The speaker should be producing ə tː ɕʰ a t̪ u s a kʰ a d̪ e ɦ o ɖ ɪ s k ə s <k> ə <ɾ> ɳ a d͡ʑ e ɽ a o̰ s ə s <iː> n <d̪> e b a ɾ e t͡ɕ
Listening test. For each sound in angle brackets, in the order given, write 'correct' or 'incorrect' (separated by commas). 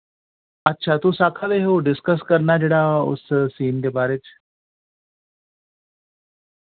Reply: correct, correct, correct, correct